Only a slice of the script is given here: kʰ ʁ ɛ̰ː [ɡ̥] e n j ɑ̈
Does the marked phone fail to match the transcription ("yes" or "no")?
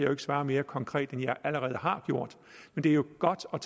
yes